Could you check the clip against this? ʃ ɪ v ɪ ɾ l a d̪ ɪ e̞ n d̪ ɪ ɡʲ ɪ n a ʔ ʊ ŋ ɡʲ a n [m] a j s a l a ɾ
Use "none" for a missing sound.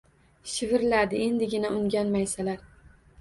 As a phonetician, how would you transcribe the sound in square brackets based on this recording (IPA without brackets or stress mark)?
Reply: m